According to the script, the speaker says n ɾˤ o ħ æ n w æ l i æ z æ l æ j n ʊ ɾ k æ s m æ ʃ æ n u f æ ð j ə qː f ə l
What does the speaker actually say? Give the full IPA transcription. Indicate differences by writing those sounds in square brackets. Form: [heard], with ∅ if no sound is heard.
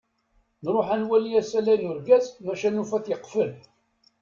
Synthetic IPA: n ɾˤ o ħ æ n w æ l i æ [s] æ l æ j n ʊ ɾ [ɡ] æ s m æ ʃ æ n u f æ [θ] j ə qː f ə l